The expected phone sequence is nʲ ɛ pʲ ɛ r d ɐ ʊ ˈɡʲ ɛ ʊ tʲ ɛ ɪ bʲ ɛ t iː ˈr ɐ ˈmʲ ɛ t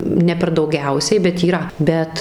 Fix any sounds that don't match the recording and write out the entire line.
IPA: nʲ ɛ pʲ ɛ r d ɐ ʊ ˈɡʲ ɛ ʊ sʲ ɛ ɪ bʲ ɛ t iː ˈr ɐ ˈbʲ ɛ t